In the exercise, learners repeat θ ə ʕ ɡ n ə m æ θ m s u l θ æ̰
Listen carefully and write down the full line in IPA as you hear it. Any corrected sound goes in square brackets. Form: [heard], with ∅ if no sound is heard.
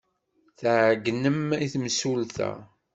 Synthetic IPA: θ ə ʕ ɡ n ə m [i] θ m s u l θ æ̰

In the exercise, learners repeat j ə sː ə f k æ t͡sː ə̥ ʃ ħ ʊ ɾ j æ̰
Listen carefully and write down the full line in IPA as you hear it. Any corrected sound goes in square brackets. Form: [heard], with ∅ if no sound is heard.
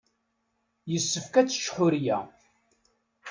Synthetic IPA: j ə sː ə f k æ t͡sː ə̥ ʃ ħ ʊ ɾ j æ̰

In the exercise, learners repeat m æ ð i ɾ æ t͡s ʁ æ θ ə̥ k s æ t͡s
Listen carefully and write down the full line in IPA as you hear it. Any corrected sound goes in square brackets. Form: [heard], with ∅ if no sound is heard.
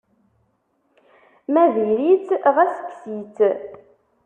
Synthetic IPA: m æ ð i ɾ [i] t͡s ʁ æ [s] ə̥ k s [i] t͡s

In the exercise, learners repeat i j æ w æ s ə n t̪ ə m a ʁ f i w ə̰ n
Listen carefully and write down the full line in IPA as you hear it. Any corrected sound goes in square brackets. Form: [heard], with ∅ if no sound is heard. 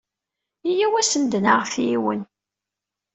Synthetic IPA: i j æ w æ s ə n [d̪] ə [n] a ʁ f i w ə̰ n

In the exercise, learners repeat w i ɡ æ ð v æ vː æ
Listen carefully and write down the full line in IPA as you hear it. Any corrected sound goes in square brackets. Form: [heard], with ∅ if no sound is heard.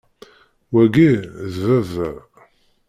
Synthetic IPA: w [æ] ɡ [i] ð v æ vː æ

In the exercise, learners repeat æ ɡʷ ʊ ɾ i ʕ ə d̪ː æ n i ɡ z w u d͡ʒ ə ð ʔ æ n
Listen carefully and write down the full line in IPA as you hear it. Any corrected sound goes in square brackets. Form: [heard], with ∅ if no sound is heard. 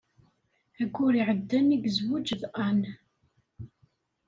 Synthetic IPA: æ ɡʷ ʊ ɾ i ʕ ə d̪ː æ n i ɡ z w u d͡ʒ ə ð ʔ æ n

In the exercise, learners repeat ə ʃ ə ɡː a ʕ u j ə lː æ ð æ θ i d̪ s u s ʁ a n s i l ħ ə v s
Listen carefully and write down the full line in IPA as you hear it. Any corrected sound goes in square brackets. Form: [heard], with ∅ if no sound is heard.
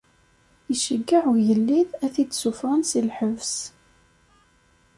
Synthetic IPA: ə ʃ ə ɡː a ʕ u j ə lː [i] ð æ θ i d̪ s u [f] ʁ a n s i l ħ ə v s

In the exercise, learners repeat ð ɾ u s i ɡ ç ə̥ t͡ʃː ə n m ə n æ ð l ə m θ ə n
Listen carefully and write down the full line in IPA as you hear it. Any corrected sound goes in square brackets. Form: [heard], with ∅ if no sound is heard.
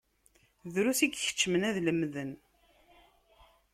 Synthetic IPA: ð ɾ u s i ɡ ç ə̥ t͡ʃː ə [∅] m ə n æ ð l ə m [ð] ə n

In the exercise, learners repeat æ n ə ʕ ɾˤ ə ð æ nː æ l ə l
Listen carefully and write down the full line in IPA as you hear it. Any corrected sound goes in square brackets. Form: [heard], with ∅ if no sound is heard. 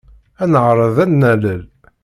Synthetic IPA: æ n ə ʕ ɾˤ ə ð æ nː æ l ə l

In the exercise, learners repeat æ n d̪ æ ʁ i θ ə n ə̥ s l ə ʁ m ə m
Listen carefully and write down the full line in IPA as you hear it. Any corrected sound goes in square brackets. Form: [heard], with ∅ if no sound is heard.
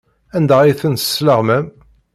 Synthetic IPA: æ n d̪ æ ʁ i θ ə n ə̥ s l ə ʁ m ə m

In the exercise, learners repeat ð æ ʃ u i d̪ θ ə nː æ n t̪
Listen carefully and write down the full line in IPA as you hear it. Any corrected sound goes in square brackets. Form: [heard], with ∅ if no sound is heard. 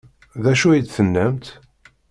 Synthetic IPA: ð æ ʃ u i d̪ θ ə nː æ [m] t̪

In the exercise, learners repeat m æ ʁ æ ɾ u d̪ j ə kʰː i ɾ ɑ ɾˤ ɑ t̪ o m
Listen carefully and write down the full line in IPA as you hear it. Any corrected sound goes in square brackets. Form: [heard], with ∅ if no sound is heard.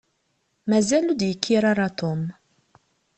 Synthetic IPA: m æ [z] æ [l] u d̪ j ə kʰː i ɾ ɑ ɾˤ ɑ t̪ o m

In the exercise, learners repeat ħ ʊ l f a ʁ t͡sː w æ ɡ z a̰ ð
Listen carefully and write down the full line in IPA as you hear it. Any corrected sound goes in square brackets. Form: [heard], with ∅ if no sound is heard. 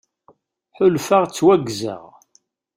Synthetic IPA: ħ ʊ l f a ʁ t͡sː w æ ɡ z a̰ [ʁ]

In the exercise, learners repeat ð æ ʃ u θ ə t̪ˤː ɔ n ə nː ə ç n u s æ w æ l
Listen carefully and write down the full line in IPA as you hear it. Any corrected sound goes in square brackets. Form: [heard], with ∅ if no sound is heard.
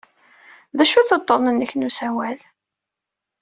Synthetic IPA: ð æ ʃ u θ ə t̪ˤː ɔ n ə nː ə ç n u s æ w æ l

